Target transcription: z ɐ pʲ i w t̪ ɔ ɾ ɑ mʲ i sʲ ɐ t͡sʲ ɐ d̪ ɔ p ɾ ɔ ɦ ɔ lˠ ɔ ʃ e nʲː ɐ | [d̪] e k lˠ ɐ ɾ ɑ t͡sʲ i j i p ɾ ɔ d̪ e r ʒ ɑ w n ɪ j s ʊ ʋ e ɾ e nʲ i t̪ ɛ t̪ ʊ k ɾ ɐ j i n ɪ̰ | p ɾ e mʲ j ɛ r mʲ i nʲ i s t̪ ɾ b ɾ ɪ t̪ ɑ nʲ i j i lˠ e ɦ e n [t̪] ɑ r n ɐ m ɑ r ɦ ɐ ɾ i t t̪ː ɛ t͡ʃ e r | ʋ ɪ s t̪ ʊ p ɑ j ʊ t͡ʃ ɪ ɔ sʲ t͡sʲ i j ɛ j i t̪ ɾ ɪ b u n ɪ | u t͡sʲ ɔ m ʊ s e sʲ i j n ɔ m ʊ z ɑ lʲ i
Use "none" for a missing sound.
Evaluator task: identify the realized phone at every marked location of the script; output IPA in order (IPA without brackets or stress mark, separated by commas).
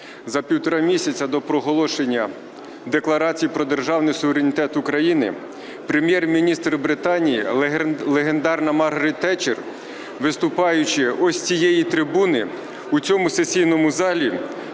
d̪, d̪